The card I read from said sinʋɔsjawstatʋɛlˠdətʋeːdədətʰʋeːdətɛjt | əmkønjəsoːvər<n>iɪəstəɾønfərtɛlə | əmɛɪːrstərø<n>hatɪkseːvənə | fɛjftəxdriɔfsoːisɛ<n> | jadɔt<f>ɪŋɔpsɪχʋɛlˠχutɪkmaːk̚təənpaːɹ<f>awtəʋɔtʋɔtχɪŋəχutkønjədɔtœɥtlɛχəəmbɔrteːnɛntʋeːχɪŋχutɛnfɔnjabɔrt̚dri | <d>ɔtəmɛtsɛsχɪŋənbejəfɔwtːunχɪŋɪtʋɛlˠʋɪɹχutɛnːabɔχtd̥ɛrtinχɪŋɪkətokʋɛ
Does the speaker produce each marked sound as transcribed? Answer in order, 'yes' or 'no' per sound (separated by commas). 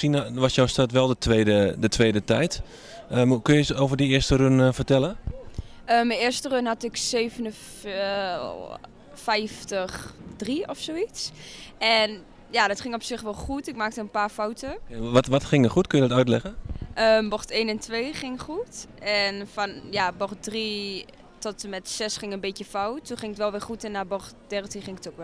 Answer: no, yes, yes, no, yes, no